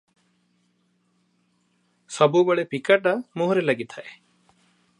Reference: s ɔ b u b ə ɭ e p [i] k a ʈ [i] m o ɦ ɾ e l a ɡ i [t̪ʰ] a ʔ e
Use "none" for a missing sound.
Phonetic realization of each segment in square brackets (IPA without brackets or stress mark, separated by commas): i, a, t̪ʰ